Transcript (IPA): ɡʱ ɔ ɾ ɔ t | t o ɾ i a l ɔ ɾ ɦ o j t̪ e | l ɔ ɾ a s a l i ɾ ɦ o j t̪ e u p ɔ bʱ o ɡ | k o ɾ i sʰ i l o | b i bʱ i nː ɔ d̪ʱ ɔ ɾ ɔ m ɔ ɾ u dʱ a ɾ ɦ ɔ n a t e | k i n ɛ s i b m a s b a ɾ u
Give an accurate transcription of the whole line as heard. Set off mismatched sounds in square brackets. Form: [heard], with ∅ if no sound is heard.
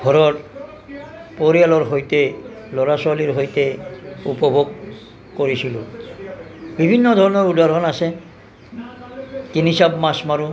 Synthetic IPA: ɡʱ ɔ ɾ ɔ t | [p] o ɾ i a l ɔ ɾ ɦ o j t̪ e | l ɔ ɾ a s a l i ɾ ɦ o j t̪ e u p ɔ bʱ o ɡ | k o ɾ i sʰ i l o | b i bʱ i nː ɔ d̪ʱ ɔ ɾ ɔ [n] ɔ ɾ u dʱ a ɾ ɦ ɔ n a [s] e | k i n [i] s [a] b m a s [m] a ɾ u